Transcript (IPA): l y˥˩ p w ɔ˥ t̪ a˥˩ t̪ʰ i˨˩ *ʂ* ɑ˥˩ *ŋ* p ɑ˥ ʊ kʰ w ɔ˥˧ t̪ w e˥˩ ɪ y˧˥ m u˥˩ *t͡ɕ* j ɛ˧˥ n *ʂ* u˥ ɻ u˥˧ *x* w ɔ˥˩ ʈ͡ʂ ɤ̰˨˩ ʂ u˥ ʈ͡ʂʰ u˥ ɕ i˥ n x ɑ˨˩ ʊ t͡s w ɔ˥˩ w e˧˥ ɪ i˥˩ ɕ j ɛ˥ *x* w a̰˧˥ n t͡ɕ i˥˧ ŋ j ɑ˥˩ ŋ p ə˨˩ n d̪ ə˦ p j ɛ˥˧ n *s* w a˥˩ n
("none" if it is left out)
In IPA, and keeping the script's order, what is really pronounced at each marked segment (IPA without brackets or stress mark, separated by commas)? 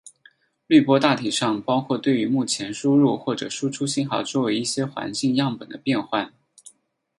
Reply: ʂ, ŋ, t͡ɕʰ, ʂ, x, x, x